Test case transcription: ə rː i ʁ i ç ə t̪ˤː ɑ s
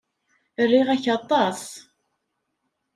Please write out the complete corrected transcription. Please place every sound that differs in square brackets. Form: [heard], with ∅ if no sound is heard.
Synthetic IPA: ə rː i ʁ [æ] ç [ɑ] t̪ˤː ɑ s